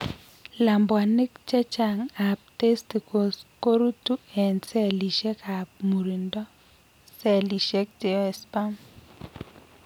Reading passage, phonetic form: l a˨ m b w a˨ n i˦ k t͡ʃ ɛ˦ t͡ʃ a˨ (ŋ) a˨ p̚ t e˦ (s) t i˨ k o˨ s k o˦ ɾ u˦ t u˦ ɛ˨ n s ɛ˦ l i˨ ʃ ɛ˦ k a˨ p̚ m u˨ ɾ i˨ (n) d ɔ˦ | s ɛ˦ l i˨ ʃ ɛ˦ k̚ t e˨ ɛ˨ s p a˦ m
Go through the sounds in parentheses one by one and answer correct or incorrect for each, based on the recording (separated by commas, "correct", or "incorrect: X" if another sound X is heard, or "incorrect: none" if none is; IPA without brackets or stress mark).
correct, correct, correct